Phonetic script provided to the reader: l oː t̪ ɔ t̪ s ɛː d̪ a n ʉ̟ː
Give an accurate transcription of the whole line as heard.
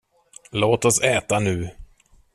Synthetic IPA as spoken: l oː t̪ ɔ s ɛː t̪ a n ʉ̟ː